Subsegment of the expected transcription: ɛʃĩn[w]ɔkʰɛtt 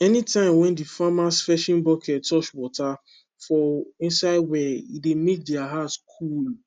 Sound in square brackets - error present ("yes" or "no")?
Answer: yes